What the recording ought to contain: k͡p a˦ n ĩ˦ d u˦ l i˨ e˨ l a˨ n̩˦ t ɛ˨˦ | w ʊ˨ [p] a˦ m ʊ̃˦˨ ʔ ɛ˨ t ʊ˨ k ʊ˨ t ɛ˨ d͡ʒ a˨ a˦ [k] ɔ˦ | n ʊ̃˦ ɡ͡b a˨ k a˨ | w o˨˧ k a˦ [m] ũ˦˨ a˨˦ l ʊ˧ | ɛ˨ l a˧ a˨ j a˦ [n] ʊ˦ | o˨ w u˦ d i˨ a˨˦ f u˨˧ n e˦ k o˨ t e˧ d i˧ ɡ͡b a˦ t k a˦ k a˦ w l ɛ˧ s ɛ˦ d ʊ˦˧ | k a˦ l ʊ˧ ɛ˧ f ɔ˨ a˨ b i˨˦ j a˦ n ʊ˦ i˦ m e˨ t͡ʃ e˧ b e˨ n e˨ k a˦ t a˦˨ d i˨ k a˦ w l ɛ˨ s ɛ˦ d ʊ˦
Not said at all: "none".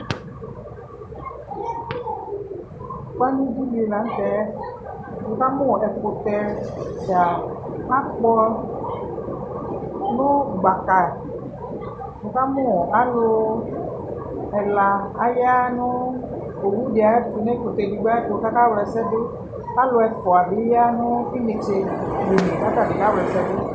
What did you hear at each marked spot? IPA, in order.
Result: k, k͡p, m, n

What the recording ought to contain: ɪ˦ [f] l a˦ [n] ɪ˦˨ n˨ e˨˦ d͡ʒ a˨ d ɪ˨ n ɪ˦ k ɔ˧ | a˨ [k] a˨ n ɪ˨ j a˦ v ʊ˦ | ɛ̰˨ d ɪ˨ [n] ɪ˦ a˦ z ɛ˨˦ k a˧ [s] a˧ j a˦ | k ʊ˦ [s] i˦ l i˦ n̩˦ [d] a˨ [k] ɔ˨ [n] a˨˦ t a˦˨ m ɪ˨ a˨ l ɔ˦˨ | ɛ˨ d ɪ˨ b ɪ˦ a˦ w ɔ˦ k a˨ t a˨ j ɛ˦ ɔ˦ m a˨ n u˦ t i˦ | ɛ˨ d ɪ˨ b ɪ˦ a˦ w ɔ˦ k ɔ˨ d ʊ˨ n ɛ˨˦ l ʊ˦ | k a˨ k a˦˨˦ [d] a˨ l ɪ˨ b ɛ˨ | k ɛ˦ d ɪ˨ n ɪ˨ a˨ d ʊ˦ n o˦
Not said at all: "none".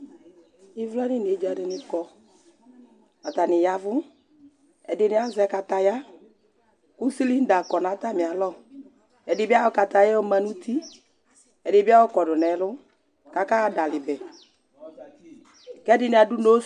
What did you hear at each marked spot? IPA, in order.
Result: v, n, t, n, t, s, d, k, n, d

